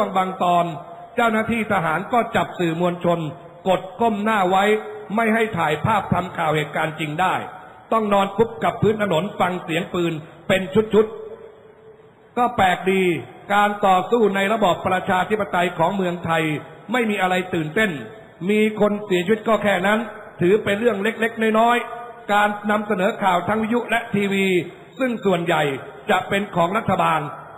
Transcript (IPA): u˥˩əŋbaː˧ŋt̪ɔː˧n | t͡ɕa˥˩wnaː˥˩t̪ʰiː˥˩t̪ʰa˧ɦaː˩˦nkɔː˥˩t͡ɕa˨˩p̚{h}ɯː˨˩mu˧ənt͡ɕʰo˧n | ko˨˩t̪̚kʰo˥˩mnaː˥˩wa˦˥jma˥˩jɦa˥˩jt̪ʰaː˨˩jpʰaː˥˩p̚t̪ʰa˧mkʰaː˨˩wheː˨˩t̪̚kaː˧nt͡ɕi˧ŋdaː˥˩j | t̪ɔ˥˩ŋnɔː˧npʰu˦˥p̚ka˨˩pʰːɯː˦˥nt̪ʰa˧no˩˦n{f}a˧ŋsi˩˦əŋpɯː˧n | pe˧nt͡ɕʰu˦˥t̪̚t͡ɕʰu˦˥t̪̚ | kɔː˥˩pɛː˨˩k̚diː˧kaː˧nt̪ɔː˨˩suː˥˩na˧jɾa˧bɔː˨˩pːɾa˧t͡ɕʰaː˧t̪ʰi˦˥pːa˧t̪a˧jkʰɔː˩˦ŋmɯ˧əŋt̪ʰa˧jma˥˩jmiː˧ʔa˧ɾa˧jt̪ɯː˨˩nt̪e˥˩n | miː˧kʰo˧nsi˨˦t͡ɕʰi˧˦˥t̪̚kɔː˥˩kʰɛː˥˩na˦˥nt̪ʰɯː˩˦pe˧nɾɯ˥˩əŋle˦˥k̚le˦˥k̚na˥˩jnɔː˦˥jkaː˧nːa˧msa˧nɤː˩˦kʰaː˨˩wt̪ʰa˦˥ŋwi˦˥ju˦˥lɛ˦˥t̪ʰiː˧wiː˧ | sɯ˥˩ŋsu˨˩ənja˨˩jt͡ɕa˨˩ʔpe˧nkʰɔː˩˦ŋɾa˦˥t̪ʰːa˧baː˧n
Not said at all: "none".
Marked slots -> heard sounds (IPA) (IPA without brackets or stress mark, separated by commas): s, f